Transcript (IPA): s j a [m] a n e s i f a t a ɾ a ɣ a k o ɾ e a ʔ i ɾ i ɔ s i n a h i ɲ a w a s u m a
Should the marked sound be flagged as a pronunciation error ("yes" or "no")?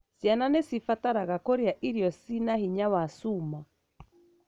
yes